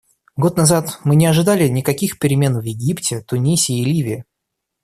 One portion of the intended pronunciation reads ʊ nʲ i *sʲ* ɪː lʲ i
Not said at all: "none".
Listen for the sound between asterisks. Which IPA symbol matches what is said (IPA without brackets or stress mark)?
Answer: sʲ